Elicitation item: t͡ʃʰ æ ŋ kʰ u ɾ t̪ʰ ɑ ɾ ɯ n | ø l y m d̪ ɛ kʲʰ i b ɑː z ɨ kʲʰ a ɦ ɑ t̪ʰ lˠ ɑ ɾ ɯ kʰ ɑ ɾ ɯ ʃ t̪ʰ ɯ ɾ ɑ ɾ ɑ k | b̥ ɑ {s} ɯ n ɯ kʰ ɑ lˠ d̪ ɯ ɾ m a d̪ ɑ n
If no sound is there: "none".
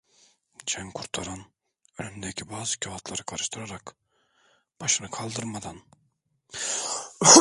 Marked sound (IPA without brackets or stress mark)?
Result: ʃ